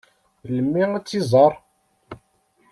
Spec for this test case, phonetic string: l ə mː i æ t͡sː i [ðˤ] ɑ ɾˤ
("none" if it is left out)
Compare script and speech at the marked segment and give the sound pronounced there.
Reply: zˤ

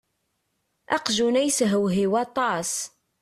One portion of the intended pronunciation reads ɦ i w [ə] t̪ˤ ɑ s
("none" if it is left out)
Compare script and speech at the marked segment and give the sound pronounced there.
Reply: ɑ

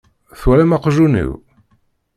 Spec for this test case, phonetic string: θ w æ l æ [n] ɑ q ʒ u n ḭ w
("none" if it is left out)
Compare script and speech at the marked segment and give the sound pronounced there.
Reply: m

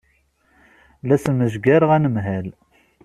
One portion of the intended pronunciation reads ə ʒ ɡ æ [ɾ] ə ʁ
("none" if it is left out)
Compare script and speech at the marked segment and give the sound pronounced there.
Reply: ɾ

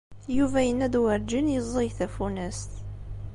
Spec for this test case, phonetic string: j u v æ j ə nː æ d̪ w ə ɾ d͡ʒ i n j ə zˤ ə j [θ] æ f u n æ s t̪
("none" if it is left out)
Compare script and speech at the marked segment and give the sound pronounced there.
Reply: θ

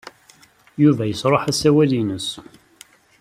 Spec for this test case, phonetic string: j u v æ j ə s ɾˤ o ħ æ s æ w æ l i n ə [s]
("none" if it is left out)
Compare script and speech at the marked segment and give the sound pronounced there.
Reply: s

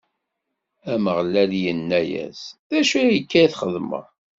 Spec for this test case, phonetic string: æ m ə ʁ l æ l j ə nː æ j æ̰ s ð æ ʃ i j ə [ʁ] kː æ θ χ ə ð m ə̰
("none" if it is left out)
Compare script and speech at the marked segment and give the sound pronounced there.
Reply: none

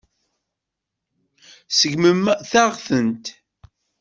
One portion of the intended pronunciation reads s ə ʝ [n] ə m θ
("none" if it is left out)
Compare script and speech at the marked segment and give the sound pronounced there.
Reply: m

